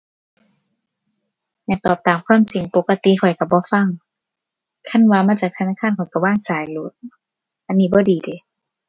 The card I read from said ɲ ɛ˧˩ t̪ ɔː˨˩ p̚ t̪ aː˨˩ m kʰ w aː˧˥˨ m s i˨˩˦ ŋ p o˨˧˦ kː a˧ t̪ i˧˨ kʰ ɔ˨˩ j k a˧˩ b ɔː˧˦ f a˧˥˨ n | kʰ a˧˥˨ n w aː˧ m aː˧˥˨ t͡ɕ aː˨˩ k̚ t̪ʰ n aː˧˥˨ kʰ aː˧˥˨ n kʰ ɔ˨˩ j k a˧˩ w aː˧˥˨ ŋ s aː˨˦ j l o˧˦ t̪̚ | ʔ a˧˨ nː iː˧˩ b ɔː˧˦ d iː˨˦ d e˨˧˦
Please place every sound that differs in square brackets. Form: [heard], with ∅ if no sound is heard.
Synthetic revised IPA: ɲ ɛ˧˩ t̪ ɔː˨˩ p̚ t̪ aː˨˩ m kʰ w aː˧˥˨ m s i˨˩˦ ŋ p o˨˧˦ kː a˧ t̪ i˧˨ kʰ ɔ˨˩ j k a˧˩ b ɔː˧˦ f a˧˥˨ [ŋ] | kʰ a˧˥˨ n w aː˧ m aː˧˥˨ t͡ɕ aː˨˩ k̚ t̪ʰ n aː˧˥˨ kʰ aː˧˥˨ n kʰ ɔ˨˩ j k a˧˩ w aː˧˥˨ ŋ s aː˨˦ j l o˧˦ t̪̚ | ʔ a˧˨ nː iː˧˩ b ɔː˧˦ d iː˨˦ d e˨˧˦